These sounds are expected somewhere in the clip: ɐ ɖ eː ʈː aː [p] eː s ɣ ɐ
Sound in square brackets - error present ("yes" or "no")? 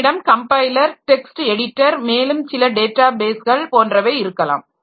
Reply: yes